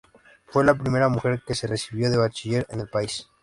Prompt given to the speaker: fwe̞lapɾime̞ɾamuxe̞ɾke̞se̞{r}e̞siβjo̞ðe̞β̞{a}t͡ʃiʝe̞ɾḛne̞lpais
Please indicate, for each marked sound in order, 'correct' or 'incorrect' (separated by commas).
correct, correct